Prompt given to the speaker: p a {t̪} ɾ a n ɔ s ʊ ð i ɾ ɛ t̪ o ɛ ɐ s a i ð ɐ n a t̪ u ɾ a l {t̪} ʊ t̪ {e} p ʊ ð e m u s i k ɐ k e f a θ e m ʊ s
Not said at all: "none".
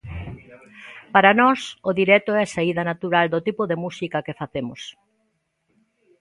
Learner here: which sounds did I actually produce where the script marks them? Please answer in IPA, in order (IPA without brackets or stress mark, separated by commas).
none, d̪, i